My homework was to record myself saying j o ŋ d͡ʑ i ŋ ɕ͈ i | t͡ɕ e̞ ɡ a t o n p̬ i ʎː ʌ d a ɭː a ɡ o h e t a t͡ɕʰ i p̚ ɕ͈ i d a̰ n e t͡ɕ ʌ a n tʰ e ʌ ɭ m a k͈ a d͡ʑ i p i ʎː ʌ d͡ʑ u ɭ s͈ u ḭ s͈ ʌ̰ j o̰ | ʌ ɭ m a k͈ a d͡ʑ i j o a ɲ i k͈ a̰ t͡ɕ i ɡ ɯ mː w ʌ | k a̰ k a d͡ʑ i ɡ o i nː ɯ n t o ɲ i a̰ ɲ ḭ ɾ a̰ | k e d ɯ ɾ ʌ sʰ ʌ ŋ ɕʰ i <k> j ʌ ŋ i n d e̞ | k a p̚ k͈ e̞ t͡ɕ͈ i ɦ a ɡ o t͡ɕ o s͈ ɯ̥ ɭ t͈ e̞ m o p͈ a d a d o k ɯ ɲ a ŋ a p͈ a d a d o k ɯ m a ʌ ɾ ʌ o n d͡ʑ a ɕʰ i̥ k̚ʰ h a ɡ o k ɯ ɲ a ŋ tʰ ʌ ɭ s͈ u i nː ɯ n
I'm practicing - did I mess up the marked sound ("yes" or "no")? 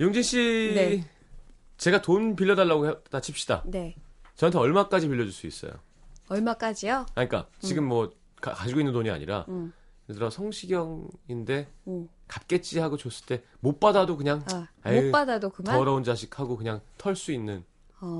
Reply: yes